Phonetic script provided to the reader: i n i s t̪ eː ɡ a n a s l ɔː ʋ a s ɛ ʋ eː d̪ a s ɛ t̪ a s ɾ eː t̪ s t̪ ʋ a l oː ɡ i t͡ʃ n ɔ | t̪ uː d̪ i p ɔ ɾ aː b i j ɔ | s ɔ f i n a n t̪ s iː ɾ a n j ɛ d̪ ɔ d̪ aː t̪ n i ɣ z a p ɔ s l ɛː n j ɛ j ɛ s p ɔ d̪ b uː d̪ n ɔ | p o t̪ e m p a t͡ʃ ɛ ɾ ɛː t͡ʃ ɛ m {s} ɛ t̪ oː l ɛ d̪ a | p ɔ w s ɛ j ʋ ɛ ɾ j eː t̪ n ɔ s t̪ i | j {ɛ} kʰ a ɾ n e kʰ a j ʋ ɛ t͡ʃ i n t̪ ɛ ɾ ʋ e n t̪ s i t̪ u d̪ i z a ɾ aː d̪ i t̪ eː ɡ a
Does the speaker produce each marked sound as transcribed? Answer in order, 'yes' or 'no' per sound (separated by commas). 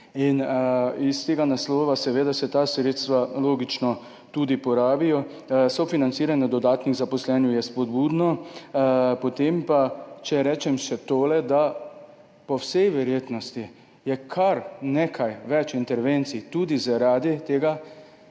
no, yes